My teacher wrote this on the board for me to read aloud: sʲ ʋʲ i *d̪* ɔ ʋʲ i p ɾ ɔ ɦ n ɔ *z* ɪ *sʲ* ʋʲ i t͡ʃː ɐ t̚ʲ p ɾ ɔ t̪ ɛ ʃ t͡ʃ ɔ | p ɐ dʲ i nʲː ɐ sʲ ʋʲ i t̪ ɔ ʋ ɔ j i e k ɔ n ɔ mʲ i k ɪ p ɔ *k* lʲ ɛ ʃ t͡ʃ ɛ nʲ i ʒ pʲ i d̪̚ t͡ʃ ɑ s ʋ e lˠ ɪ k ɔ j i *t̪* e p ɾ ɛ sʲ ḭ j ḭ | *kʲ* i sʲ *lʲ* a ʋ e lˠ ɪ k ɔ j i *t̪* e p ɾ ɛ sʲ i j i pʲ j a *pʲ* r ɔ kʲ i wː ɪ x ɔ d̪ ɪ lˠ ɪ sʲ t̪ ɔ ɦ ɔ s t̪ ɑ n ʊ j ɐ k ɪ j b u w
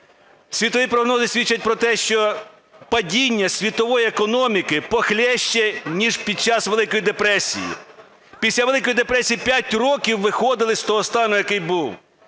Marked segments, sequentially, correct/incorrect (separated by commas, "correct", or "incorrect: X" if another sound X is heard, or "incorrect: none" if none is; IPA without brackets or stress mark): incorrect: t̪, correct, correct, incorrect: x, incorrect: d̪, incorrect: pʲ, correct, incorrect: d̪, incorrect: tʲ